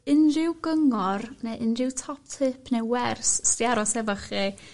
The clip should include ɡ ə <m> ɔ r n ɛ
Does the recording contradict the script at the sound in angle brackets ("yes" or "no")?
yes